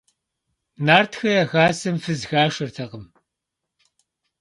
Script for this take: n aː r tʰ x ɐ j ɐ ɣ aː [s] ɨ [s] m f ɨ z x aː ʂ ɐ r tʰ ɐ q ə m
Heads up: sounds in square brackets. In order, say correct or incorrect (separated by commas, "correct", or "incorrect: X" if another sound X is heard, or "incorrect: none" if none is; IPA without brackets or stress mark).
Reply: correct, incorrect: none